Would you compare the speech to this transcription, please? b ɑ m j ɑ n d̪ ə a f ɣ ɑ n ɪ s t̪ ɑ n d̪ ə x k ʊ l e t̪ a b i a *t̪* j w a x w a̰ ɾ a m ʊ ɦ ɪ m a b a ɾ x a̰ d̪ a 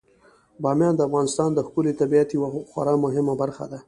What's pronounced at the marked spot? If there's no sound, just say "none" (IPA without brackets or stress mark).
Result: t̪